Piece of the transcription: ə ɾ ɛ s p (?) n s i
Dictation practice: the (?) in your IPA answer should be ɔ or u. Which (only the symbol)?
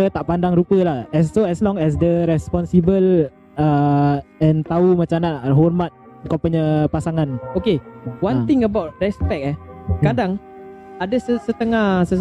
ɔ